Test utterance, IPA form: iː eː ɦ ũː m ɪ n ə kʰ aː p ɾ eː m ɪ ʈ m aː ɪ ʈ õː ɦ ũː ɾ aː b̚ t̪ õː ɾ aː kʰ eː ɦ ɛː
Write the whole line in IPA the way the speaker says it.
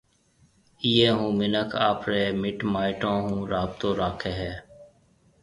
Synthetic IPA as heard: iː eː ɦ ũː m ɪ n ə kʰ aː p ɾ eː m ɪ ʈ m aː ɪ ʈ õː ɦ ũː ɾ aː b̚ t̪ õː ɾ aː kʰ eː ɦ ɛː